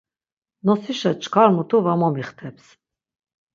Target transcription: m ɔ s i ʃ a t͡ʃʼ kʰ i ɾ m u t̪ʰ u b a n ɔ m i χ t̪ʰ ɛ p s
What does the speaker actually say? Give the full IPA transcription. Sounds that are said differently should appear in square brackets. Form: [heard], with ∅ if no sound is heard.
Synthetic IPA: [n] ɔ s i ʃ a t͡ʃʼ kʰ [a] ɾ m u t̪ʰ u [v] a [m] ɔ m i χ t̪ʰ ɛ p s